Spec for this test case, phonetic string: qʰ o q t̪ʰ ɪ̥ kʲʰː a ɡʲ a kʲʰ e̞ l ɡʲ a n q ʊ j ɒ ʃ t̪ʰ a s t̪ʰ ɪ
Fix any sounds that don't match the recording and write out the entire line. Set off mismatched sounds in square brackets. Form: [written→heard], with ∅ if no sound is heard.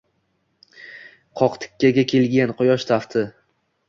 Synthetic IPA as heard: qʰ [o→ɒ] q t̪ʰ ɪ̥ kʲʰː a ɡʲ a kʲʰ e̞ l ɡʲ a n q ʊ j ɒ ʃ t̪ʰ a [s→f] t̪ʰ ɪ